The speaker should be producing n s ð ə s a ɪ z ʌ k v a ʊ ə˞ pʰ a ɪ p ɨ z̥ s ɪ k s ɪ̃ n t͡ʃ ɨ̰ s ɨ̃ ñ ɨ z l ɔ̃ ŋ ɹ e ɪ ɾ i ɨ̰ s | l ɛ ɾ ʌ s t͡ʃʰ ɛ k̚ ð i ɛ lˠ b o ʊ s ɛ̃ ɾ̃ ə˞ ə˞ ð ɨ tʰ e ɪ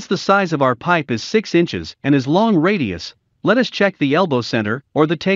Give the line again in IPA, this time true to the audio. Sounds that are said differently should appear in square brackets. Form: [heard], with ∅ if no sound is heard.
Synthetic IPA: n s ð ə s a ɪ z ʌ [∅] v a ʊ ə˞ pʰ a ɪ p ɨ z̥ s ɪ k s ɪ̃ n t͡ʃ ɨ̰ [z] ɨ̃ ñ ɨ z l ɔ̃ ŋ ɹ e ɪ ɾ i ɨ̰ s | l ɛ ɾ ʌ s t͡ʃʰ ɛ k̚ ð i ɛ lˠ b o ʊ s ɛ̃ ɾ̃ ə˞ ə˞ ð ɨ tʰ e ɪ